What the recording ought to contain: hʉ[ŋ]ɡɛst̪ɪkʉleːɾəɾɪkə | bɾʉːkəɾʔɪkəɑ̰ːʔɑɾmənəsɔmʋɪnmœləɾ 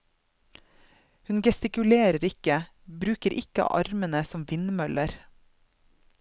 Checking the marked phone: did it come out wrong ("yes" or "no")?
yes